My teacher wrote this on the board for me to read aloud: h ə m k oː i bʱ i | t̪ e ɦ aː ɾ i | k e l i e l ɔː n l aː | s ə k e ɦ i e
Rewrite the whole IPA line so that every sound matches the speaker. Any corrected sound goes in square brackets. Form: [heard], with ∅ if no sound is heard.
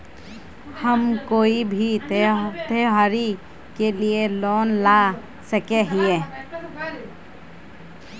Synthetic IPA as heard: h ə m k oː i bʱ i | t̪ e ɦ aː ɾ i | k e l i e l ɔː n l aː | s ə k e ɦ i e